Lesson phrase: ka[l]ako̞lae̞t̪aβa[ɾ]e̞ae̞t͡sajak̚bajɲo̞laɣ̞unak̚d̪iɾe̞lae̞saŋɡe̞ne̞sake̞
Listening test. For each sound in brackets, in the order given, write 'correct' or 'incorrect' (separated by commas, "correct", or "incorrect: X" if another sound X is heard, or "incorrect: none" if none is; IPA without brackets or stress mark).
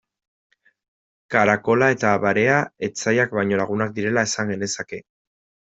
incorrect: ɾ, correct